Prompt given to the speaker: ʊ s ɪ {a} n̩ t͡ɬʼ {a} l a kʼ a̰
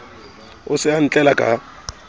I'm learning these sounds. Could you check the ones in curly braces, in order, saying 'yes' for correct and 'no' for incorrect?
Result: yes, no

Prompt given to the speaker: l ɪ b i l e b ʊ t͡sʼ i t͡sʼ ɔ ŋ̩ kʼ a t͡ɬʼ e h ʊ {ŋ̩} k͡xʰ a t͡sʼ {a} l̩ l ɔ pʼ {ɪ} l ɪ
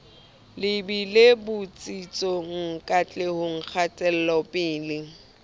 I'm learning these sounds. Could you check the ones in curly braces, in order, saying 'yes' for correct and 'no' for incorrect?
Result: yes, no, no

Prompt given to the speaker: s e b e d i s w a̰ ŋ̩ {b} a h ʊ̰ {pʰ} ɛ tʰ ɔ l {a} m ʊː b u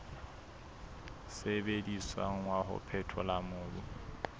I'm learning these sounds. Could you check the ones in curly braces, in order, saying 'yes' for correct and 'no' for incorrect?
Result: no, yes, yes

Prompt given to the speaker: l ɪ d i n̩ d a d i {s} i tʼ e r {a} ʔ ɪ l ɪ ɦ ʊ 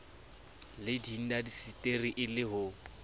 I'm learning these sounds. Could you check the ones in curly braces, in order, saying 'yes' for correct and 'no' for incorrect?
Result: yes, no

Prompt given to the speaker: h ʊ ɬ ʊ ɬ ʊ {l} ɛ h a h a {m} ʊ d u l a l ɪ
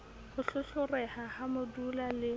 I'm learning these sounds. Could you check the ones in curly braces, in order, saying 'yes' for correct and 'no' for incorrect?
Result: no, yes

